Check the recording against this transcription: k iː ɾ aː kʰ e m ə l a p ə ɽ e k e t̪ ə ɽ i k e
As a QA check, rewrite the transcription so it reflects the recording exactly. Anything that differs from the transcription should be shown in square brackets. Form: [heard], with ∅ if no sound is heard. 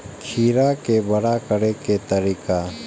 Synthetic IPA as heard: [kʰ] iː ɾ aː [k] e [b] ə [ɽ] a [k] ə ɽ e k e t̪ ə [ɾ] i k [a]